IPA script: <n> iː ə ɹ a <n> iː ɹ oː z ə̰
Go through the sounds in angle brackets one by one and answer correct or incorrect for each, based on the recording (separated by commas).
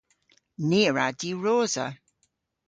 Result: correct, incorrect